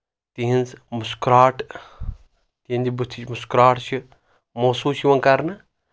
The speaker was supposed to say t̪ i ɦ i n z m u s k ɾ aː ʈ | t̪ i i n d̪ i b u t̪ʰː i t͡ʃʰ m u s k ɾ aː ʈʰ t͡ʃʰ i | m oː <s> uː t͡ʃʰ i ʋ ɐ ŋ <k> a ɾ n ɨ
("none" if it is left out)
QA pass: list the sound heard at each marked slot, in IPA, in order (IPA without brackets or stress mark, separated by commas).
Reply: s, k